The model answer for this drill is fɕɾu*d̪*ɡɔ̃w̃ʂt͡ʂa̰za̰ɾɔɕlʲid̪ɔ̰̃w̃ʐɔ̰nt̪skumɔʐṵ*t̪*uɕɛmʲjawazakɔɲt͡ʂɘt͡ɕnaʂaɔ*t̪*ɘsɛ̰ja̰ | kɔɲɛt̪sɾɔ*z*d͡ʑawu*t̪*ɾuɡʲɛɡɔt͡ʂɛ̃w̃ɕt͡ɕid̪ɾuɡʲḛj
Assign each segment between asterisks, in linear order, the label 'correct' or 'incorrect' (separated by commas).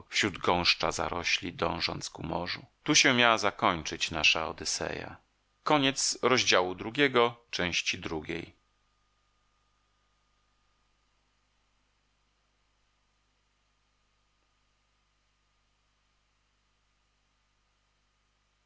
correct, correct, incorrect, incorrect, incorrect